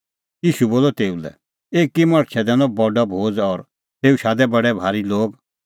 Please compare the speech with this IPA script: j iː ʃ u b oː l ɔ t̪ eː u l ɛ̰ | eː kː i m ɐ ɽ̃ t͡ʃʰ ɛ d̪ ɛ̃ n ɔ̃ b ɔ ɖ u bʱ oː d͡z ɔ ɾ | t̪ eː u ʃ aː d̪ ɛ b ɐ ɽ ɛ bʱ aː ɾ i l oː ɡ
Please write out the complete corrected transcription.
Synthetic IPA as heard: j iː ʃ u b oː l ɔ t̪ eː u l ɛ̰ | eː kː i m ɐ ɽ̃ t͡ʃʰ ɛ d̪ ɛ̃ n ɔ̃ b ɔ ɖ ɔ bʱ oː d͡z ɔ ɾ | t̪ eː u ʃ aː d̪ ɛ b ɐ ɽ ɛ bʱ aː ɾ i l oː ɡ